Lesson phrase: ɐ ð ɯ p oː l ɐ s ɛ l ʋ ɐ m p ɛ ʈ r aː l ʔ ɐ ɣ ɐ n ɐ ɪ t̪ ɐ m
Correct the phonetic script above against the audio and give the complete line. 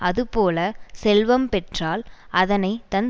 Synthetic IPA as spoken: ɐ ð ɯ p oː l ɐ s ɛ l ʋ ɐ m p ɛ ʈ r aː l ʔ ɐ ð ɐ n ɐ ɪ t̪ ɐ n